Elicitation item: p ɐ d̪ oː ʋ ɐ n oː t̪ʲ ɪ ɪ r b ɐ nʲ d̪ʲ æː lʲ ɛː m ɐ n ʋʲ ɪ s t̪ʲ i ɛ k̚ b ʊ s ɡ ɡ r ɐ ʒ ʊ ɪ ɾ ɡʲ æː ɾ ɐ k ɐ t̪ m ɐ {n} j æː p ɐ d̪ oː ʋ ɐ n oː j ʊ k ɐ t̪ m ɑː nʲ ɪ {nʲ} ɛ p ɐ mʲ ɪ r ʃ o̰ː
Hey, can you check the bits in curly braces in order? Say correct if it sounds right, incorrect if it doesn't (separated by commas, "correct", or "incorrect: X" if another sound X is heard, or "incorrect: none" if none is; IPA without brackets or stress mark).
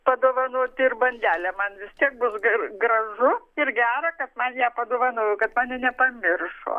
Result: correct, correct